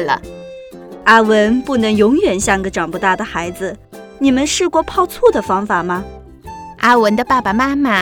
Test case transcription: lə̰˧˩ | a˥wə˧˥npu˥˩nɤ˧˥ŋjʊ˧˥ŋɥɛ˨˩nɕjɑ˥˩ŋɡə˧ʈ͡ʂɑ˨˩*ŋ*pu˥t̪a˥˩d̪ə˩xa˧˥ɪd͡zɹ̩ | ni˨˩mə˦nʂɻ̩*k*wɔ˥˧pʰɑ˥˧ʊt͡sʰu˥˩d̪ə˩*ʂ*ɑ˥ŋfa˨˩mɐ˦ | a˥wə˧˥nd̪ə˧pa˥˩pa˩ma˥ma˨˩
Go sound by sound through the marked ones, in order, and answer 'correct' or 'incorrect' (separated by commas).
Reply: correct, correct, incorrect